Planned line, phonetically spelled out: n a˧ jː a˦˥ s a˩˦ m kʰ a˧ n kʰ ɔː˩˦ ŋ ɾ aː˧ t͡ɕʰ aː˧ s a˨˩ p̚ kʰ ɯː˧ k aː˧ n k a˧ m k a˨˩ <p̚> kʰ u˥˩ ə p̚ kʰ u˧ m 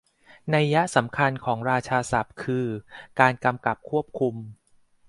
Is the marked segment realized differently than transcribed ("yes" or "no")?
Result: no